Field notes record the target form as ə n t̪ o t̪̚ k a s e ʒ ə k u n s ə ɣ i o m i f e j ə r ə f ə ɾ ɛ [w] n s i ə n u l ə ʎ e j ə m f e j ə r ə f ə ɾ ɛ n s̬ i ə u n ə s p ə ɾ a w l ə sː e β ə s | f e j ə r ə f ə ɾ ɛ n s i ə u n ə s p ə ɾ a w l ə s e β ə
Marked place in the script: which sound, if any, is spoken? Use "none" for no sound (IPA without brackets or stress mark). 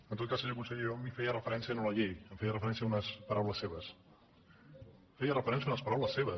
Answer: none